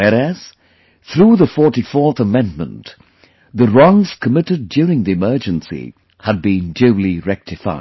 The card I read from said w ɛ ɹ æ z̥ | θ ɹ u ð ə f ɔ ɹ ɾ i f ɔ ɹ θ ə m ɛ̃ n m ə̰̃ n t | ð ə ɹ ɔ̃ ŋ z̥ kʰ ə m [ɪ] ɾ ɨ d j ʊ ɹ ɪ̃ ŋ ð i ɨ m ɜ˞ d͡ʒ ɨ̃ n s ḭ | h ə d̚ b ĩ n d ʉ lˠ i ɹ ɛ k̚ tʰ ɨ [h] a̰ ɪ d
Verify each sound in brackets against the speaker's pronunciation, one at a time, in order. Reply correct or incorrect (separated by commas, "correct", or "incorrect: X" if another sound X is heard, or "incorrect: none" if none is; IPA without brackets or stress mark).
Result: correct, incorrect: f